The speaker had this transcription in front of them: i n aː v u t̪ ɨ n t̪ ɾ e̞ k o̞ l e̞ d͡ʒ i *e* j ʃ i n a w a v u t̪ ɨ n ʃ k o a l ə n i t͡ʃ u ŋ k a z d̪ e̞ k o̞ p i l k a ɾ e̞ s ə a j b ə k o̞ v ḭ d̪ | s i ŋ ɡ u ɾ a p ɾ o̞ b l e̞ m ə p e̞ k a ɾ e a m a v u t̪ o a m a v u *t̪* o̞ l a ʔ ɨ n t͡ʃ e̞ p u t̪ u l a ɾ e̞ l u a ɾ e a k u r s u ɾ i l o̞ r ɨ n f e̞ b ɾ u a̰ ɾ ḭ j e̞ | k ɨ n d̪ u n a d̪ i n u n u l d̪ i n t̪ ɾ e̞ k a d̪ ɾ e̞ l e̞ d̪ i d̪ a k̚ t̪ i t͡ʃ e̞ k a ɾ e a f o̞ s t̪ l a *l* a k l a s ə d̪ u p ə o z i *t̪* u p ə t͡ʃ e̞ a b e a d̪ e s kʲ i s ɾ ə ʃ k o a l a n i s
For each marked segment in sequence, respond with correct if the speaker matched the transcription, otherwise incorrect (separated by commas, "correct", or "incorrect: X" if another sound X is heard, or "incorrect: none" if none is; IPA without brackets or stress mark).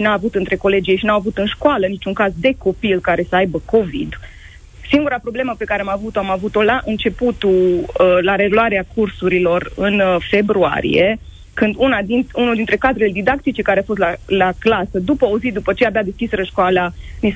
correct, correct, correct, incorrect: d̪